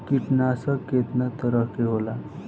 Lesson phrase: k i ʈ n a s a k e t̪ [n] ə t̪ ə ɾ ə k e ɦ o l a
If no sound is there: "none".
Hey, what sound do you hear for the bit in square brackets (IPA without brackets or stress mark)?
n